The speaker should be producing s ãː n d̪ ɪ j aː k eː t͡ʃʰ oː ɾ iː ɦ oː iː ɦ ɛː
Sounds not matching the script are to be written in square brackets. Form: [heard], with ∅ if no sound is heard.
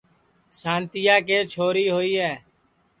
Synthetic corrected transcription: s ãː n [t̪] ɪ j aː k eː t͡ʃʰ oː ɾ iː ɦ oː iː ɦ ɛː